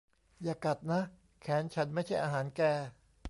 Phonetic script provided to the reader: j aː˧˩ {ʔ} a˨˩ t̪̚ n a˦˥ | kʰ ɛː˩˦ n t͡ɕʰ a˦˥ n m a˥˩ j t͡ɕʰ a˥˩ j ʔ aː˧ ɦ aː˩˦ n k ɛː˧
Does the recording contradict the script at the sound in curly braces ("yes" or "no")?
yes